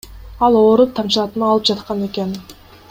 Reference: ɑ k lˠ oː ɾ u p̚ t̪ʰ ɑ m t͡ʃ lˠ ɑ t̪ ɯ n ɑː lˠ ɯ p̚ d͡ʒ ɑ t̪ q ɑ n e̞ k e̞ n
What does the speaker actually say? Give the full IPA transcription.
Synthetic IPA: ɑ lˠ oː ɾ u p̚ t̪ʰ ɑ m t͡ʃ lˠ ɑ t̪ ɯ n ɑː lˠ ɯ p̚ d͡ʒ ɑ t̪ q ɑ n e̞ k e̞ n